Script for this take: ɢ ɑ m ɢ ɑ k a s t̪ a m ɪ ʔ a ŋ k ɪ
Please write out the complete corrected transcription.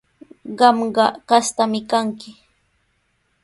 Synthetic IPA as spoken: ɢ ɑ m ɢ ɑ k a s t̪ a m ɪ k a ŋ k ɪ